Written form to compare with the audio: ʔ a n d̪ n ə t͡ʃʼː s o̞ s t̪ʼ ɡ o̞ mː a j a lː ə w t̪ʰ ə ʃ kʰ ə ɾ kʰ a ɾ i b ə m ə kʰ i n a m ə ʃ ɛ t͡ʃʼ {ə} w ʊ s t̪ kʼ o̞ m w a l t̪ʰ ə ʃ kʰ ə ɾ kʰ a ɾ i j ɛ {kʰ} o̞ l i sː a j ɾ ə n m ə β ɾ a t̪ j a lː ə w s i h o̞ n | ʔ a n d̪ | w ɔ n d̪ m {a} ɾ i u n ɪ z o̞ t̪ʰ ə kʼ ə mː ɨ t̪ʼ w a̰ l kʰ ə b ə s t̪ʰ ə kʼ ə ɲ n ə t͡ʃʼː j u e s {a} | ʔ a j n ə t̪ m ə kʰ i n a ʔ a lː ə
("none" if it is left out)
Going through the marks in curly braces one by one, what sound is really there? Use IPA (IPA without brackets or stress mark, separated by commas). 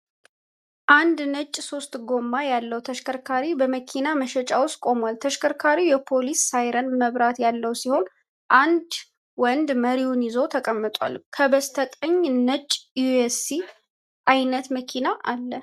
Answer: a, pʰ, ə, i